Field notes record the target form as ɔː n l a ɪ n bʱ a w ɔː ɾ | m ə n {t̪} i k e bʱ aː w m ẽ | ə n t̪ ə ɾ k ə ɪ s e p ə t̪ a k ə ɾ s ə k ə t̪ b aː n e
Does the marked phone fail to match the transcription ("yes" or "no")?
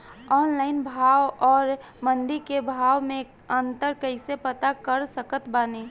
yes